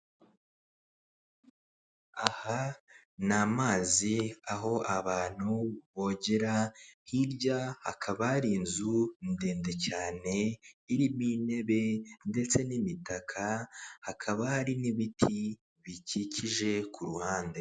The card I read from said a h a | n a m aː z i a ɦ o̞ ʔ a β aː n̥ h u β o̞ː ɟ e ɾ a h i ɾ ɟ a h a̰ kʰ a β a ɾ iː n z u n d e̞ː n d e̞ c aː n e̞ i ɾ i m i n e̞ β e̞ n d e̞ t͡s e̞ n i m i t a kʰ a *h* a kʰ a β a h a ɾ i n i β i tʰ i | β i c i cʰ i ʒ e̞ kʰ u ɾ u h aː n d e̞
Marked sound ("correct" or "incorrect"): correct